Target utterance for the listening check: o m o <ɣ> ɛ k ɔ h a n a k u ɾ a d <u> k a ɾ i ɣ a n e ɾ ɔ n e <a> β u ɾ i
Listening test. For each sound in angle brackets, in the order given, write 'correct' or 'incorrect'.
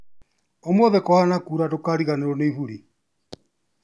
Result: incorrect, incorrect, incorrect

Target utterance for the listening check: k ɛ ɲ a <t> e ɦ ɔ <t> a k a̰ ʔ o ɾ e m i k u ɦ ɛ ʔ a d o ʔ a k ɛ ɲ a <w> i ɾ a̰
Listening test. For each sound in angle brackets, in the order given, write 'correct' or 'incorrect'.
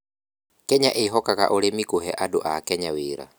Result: incorrect, incorrect, correct

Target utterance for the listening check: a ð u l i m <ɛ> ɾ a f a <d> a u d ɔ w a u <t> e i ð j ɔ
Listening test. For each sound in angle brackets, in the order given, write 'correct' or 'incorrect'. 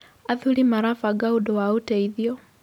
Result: incorrect, incorrect, correct

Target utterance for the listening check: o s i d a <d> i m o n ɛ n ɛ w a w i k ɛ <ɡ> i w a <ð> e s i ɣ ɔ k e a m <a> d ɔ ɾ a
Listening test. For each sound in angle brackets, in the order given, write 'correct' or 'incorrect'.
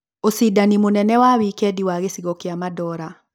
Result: incorrect, incorrect, incorrect, correct

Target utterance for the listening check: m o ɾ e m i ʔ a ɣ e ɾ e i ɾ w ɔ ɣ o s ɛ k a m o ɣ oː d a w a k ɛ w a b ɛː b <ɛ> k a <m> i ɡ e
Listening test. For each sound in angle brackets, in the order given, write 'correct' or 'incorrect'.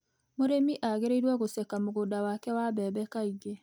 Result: correct, incorrect

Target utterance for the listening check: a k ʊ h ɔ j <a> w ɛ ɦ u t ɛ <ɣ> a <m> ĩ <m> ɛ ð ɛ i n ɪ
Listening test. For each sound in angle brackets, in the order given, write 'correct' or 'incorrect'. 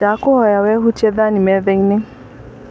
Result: correct, incorrect, incorrect, correct

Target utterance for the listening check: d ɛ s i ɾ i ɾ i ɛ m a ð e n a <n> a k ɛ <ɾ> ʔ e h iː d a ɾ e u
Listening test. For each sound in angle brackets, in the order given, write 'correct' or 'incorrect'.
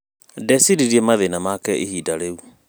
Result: incorrect, incorrect

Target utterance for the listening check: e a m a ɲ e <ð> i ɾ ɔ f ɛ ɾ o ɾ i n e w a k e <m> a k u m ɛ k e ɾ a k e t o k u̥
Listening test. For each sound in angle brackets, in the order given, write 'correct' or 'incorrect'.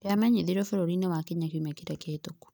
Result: correct, incorrect

